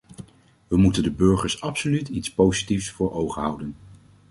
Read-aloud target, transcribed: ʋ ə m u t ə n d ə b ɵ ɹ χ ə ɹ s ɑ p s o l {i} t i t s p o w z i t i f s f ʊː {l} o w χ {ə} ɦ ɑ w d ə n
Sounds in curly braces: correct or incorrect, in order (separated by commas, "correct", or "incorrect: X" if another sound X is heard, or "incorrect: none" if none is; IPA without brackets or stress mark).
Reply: incorrect: y, incorrect: ɹ, correct